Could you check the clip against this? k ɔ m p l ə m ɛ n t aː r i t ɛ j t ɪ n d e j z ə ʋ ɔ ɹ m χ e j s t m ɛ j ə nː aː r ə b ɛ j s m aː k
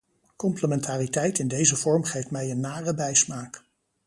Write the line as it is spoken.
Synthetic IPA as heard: k ɔ m p l ə m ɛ n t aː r i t ɛ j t ɪ n d e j z ə v ɔ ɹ m χ e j f t m ɛ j ə nː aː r ə b ɛ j s m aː k